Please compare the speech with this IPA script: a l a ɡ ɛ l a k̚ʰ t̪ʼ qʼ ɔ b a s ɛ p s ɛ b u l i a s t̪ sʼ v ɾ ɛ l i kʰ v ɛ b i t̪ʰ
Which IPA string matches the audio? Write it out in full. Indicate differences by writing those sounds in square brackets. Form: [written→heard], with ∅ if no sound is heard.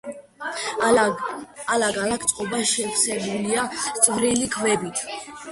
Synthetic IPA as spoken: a l a ɡ [ɛ→a] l a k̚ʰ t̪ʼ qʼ ɔ b a [s→ʃ] ɛ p s ɛ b u l i a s t̪ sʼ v ɾ [ɛ→i] l i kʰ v ɛ b i t̪ʰ